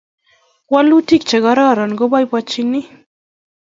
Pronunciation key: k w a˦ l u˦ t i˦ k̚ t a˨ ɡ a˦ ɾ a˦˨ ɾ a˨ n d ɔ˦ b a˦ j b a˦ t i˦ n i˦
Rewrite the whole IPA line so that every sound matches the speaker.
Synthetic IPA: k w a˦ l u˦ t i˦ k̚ t͡ʃ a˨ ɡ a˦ ɾ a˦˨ ɾ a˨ n ɡ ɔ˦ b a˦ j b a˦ t͡ʃ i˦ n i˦